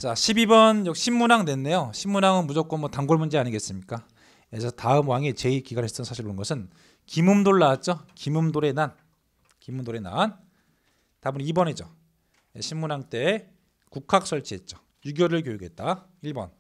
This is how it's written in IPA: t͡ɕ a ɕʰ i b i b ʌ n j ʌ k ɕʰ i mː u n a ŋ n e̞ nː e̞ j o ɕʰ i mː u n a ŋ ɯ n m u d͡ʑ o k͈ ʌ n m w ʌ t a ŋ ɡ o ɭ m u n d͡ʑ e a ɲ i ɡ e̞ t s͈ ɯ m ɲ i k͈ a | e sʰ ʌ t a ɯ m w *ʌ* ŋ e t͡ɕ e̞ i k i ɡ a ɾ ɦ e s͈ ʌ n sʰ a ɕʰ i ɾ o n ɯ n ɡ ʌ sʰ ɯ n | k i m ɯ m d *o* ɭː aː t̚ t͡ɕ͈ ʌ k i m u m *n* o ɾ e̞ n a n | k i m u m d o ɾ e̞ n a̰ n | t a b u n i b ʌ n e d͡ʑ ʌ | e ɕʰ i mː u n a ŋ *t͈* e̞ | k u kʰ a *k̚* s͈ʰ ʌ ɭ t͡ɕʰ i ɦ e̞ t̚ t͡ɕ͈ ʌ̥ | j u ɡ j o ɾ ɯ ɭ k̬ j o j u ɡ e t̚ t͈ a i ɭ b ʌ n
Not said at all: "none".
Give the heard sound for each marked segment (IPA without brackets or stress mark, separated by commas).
a, o, d, t͈, k̚